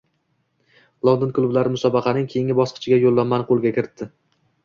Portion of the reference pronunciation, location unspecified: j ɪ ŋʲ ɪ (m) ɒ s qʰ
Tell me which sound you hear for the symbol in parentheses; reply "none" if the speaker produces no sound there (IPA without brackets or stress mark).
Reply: b